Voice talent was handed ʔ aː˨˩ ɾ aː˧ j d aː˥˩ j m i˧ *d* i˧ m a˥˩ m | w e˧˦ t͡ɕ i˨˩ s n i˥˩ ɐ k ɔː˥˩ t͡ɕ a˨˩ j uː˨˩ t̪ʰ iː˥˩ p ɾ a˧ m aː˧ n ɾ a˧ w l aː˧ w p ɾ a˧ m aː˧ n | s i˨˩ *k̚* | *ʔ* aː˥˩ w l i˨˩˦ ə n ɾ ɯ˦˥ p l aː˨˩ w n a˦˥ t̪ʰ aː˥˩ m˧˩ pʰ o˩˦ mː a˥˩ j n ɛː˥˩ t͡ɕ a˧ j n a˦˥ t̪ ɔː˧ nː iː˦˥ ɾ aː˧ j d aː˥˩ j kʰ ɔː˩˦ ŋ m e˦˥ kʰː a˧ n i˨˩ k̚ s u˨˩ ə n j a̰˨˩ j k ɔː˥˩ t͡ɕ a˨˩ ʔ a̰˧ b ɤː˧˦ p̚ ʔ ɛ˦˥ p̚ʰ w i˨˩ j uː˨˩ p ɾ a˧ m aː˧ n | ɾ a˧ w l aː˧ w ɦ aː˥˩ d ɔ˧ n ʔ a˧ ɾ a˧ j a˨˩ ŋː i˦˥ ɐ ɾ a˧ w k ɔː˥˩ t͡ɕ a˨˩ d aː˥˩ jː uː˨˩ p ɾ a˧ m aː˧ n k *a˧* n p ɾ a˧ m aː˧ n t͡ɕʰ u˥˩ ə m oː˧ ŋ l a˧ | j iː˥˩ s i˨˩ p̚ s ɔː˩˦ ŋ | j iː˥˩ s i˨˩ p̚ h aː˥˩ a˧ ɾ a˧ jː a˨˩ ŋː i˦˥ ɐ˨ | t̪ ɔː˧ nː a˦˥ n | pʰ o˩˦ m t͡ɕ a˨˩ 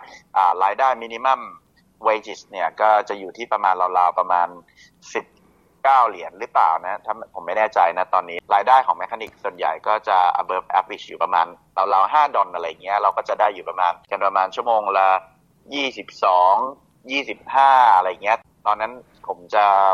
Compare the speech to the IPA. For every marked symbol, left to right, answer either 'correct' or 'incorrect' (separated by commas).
incorrect, incorrect, incorrect, correct